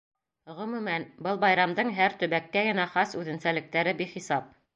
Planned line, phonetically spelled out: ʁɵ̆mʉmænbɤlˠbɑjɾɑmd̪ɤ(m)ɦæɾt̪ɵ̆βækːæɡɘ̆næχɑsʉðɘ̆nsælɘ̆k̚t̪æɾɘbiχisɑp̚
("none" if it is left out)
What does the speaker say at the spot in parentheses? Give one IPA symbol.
ɴ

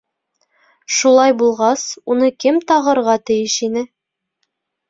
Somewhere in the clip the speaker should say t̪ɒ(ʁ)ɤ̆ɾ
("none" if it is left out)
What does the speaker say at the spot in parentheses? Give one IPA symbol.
ʁ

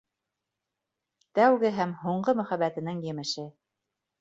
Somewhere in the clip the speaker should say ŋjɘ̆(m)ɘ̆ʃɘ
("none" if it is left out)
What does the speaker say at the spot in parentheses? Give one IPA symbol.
m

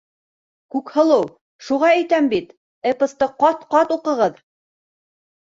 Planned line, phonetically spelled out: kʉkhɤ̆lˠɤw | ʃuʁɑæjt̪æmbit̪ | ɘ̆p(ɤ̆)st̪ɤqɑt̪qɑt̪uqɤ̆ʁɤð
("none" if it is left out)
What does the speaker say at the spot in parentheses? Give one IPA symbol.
ɤ̆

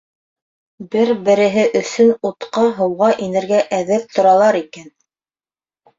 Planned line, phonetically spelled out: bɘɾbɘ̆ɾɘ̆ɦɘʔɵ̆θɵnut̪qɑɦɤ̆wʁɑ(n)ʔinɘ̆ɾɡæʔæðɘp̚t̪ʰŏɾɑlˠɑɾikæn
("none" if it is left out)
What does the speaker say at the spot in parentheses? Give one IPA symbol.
none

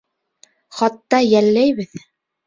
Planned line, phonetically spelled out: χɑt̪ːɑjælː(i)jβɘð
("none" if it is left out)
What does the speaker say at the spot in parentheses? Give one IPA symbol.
æ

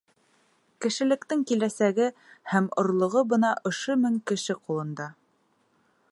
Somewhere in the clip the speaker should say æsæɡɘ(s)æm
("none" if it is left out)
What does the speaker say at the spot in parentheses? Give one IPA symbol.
h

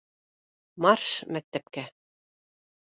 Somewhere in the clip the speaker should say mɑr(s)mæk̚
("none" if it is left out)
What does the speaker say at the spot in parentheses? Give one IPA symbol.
ʃ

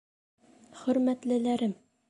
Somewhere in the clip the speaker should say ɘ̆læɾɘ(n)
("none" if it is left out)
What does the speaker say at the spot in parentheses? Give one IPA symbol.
m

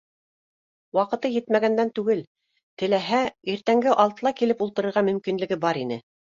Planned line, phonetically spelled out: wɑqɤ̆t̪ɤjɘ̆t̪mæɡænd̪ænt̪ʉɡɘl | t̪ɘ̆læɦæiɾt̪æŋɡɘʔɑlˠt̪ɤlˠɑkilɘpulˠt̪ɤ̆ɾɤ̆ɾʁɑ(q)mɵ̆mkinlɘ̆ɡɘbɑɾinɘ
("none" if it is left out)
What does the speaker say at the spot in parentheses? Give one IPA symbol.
none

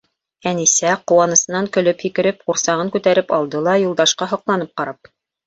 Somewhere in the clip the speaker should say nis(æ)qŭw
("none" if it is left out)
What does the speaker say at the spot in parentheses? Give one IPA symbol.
æ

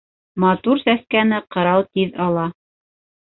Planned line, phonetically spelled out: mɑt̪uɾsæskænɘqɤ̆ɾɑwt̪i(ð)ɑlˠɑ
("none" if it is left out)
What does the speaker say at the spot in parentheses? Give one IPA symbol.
ð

